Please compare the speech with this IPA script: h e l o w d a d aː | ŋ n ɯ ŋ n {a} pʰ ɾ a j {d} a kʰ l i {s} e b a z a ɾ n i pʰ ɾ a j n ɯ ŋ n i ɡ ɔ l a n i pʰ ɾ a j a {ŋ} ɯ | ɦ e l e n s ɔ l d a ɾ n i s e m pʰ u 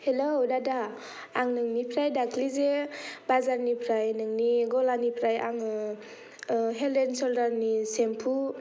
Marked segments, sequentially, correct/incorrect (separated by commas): incorrect, correct, incorrect, correct